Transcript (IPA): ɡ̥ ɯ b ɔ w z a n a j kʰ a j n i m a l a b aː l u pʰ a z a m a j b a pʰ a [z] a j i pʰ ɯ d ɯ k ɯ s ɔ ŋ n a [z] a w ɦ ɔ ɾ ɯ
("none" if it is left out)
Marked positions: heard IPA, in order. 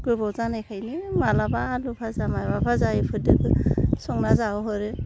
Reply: z, z

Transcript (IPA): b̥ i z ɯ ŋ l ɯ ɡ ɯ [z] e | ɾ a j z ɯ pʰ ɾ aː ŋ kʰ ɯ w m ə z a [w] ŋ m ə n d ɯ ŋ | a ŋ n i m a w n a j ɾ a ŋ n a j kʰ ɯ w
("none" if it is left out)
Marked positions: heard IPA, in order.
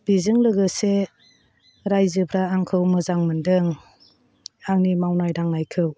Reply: s, none

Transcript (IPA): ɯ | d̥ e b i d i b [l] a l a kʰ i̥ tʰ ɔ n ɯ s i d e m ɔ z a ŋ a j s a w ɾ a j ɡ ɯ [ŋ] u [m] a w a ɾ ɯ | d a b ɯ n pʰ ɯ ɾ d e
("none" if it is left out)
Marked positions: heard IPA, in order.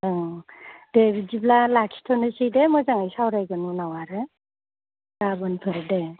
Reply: l, n, n

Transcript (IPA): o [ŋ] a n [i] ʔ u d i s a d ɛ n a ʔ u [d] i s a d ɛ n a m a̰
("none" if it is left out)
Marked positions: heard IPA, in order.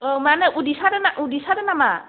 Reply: m, ɛ, d

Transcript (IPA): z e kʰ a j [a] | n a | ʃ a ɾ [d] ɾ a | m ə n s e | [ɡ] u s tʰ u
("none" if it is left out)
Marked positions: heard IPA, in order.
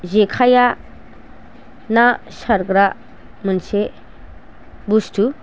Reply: a, ɡ, b

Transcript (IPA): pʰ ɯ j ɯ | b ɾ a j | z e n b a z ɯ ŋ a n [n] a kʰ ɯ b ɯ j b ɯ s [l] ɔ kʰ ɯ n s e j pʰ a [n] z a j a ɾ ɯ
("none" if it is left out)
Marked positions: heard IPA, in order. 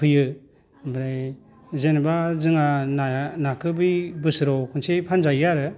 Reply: n, ɾ, n

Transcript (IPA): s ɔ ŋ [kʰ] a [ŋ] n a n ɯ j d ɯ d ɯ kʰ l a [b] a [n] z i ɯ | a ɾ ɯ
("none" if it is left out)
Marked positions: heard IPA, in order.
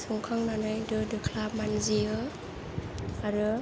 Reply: kʰ, ŋ, m, n

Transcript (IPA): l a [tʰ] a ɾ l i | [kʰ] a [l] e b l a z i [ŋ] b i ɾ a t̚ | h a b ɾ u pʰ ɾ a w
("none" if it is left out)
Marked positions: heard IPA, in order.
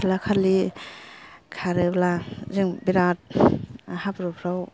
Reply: kʰ, kʰ, ɾ, ŋ

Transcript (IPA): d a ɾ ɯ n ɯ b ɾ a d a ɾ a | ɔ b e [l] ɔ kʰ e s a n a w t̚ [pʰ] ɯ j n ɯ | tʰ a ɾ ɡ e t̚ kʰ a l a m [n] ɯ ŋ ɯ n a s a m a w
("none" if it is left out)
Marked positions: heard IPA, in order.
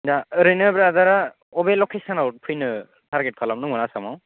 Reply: l, pʰ, n

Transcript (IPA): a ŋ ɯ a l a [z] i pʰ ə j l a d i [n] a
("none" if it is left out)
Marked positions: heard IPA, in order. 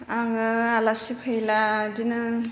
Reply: s, n

